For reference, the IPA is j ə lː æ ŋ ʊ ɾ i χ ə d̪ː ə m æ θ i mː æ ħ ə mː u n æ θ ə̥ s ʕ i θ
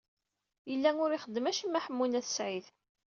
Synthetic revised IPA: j ə lː æ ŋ ʊ ɾ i χ ə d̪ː ə m æ ʃ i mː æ ħ ə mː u n æ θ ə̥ s ʕ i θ